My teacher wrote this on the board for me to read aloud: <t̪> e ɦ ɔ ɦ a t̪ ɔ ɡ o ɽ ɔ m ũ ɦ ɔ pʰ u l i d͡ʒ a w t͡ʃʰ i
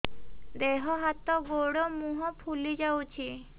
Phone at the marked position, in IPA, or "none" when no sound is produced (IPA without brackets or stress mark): d̪